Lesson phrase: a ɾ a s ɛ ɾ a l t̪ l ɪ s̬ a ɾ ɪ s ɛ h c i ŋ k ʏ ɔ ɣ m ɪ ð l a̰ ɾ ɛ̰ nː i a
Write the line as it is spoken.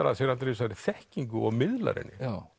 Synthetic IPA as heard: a ɾ a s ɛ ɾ a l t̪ ɾ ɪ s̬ a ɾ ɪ θ ɛ h c i ŋ k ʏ ɔ ɣ m ɪ ð l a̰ ɾ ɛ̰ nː ɪ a